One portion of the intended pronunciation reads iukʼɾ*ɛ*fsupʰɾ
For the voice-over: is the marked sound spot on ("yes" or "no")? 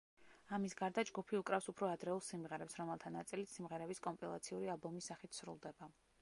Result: no